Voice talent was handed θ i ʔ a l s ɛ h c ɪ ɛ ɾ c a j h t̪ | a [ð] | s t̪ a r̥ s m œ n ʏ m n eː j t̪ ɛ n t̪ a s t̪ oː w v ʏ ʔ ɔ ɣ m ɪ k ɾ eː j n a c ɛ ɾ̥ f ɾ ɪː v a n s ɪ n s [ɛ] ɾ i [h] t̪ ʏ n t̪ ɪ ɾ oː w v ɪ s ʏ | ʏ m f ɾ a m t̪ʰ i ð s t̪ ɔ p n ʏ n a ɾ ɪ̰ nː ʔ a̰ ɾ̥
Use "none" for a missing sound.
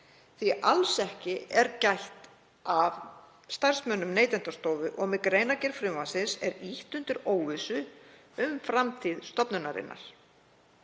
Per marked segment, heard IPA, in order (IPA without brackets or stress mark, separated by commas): v, ɛ, h